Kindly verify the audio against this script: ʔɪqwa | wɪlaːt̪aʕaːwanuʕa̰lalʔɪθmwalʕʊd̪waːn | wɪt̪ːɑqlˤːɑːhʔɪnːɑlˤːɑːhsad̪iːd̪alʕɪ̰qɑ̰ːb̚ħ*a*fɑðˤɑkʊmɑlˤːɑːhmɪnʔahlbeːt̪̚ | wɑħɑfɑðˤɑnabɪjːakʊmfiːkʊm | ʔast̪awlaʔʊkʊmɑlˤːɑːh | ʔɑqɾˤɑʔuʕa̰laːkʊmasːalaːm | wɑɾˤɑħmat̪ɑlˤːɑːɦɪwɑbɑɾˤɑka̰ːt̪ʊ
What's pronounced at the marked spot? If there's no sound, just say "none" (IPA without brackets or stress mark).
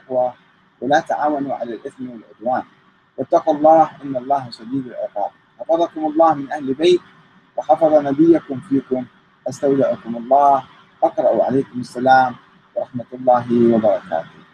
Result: ɑ